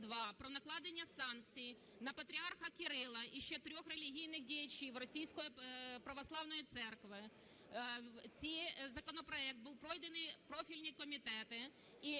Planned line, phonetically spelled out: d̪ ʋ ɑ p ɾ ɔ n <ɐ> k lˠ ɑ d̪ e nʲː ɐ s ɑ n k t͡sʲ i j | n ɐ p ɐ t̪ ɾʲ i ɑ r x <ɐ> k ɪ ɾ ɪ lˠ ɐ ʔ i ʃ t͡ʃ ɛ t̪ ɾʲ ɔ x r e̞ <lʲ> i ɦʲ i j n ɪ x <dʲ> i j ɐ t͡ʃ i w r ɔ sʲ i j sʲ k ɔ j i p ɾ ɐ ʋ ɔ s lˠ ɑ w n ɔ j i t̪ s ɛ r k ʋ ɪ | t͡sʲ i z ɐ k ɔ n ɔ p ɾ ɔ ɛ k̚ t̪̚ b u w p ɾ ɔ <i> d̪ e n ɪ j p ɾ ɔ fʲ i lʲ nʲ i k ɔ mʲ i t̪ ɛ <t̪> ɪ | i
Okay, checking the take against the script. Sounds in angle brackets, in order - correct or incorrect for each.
correct, correct, correct, correct, incorrect: j, correct

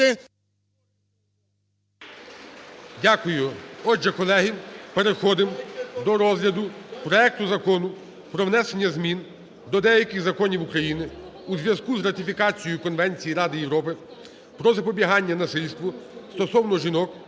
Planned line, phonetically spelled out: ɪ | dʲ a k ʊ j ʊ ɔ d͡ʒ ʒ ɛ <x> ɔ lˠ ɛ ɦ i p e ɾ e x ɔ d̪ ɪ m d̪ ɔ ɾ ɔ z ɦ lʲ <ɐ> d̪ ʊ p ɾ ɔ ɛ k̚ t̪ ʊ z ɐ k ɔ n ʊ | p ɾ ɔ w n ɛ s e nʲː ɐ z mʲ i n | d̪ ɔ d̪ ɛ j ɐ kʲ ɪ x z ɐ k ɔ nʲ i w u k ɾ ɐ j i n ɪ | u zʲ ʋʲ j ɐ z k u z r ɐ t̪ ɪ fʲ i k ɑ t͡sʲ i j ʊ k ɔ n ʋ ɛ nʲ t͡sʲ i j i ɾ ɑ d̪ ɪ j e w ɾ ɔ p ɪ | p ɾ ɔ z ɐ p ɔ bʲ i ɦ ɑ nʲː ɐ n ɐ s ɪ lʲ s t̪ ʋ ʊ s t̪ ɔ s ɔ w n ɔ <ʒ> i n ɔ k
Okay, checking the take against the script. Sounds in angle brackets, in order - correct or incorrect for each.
incorrect: k, correct, correct

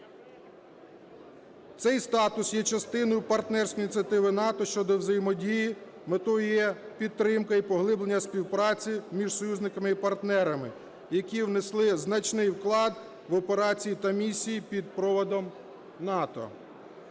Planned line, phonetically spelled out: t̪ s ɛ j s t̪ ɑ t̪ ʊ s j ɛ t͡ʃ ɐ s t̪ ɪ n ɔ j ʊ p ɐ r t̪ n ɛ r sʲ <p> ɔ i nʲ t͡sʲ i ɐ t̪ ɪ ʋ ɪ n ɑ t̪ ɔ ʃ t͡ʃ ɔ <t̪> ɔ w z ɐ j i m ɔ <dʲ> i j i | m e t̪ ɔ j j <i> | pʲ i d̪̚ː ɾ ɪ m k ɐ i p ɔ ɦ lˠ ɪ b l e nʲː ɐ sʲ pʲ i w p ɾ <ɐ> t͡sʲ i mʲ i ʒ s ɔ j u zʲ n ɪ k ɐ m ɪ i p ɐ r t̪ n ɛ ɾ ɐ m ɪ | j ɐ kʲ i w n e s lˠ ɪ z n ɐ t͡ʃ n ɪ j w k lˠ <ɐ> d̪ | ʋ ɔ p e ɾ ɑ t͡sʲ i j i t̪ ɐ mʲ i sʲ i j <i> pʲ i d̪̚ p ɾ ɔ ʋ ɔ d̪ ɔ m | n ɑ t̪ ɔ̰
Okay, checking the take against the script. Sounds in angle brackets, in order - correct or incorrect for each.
incorrect: k, incorrect: d̪, correct, incorrect: ɛ, incorrect: ɑ, incorrect: ɑ, correct

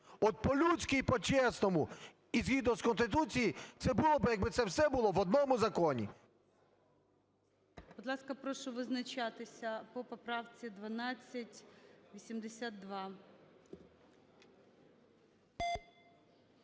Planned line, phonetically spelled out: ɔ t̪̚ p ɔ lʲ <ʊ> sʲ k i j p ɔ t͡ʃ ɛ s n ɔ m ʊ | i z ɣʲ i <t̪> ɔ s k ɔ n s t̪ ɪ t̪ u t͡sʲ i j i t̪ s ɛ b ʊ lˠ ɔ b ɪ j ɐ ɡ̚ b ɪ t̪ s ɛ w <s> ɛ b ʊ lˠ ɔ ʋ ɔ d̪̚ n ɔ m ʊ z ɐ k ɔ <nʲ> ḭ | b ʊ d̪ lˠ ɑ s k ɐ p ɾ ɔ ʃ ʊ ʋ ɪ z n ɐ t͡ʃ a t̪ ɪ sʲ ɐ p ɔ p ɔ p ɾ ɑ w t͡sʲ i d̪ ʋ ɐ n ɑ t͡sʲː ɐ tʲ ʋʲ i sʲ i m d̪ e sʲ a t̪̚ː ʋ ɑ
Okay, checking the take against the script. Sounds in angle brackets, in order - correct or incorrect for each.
incorrect: u, incorrect: d̪, correct, correct

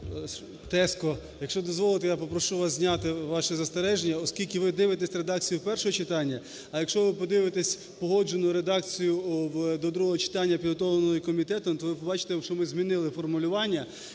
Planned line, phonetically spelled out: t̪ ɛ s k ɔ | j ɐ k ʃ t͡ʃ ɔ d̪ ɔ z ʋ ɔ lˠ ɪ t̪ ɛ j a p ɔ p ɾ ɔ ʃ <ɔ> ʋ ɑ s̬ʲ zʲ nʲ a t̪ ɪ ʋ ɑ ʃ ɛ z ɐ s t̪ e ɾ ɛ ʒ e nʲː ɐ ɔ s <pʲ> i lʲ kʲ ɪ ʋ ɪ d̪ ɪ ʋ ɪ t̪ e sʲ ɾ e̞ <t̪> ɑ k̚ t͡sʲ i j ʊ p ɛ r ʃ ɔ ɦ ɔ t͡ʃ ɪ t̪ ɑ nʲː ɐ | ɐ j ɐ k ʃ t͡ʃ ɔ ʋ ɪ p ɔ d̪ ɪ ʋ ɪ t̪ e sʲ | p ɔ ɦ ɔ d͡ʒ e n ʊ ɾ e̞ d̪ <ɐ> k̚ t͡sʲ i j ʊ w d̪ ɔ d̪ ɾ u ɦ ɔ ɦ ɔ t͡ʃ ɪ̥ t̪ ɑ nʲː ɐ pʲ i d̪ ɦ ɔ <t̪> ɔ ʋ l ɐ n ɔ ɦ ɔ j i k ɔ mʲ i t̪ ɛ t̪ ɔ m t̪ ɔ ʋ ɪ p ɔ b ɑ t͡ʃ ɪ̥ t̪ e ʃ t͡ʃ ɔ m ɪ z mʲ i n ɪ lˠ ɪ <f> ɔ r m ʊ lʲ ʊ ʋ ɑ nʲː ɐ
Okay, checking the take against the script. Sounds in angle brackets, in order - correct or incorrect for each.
incorrect: u, incorrect: kʲ, incorrect: d̪, incorrect: ɑ, correct, correct

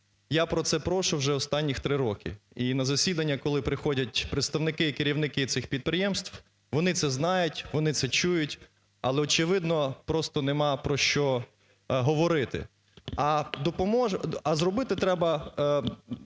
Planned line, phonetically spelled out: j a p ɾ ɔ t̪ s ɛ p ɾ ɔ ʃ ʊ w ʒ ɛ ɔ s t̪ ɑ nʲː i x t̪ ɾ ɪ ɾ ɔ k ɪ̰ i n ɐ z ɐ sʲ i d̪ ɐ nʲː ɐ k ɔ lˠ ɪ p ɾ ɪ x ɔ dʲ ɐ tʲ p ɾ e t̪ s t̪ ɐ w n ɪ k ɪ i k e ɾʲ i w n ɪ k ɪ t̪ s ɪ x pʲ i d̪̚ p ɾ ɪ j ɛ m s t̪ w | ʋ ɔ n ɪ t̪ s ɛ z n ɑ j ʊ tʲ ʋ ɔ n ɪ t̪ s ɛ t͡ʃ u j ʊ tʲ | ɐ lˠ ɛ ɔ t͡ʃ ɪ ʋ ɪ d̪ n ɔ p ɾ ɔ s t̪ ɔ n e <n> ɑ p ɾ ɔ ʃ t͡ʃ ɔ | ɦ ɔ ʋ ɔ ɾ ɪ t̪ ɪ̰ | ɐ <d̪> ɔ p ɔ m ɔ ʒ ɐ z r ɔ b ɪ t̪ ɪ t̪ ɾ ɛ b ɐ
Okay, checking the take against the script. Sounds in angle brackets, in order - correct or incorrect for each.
incorrect: m, correct

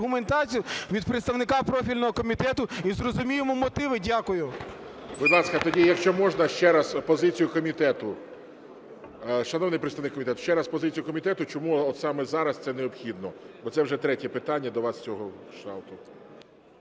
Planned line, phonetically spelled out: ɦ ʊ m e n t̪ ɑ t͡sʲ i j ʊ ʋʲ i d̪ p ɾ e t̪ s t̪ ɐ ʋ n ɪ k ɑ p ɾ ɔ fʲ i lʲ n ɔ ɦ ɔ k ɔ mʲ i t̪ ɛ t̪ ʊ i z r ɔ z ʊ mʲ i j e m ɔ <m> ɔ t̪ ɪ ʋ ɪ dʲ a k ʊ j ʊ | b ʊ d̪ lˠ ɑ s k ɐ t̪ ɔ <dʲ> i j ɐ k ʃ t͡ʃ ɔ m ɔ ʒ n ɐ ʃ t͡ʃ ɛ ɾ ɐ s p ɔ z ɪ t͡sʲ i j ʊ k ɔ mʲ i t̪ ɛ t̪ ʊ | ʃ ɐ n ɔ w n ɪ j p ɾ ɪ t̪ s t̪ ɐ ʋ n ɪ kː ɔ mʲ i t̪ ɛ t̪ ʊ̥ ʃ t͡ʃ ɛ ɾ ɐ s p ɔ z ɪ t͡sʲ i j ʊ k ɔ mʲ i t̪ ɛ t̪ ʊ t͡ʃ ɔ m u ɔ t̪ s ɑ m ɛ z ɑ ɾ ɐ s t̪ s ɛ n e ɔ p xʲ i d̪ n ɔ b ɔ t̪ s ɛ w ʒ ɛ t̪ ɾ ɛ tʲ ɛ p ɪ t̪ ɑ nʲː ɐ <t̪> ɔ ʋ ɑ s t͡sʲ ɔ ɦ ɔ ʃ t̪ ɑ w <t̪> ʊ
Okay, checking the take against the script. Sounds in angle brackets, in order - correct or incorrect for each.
correct, correct, incorrect: d̪, correct

